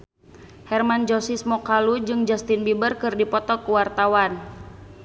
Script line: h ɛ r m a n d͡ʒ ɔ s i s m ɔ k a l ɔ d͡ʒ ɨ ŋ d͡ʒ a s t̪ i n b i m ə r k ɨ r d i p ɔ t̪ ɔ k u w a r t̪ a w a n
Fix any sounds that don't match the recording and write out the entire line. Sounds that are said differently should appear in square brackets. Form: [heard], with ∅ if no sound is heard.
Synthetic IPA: h ɛ r m a n d͡ʒ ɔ s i s m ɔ k a l [u] d͡ʒ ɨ ŋ d͡ʒ a s t̪ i n b i [b] ə r k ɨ r d i p ɔ t̪ ɔ k u w a r t̪ a w a n